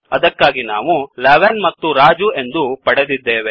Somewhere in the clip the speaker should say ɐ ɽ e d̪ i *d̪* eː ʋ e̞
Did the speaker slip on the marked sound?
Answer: yes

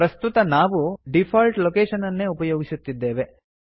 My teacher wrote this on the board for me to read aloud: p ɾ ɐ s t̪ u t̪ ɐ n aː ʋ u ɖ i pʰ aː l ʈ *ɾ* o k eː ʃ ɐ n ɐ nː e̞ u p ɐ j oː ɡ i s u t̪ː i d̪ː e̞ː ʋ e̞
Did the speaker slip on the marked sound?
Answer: yes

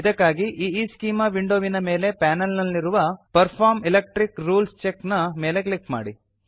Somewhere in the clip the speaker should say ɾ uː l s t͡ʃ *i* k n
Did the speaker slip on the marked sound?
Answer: yes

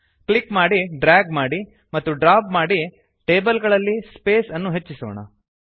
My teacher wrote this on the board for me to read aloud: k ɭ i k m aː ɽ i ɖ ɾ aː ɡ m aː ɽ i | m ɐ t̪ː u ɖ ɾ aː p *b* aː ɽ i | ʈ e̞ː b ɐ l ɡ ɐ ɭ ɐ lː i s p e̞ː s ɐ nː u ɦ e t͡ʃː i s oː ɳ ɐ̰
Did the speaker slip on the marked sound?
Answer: yes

